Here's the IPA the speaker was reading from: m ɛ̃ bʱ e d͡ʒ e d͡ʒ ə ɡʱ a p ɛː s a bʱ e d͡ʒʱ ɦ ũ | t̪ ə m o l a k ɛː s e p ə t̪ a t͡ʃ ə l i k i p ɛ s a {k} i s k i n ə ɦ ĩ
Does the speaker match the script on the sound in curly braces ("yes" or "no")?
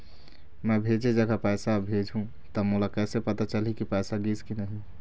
no